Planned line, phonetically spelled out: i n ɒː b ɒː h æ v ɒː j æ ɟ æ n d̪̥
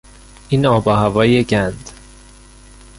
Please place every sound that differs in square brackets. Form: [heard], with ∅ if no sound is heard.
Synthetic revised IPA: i n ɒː b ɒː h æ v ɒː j [e] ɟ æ n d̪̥